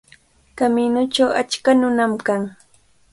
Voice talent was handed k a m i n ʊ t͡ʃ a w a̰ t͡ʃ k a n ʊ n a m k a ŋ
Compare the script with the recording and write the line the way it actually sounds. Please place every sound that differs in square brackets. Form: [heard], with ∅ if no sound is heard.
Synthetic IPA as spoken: k a m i n ʊ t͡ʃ a w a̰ t͡ʃ k a n ʊ n a m k a ŋ